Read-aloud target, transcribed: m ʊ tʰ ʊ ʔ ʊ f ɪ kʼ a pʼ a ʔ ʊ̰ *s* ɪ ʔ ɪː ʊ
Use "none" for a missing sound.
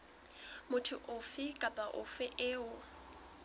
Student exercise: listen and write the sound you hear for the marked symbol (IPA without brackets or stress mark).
f